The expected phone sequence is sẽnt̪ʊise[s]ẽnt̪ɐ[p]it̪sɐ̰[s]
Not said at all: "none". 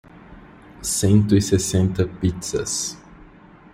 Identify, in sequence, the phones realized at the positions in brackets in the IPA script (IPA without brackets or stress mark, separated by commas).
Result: s, p, s